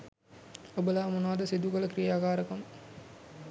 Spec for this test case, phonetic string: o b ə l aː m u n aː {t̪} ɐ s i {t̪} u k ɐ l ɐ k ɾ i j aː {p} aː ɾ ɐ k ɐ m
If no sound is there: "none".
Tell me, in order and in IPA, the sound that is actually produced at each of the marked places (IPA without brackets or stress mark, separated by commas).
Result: d̪, d̪, k